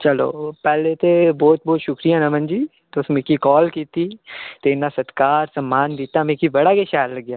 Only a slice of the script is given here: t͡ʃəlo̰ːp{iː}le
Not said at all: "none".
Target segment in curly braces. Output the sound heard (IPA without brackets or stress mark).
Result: ɛː